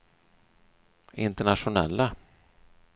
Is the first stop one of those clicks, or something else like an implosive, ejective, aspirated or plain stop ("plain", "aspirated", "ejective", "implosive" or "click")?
plain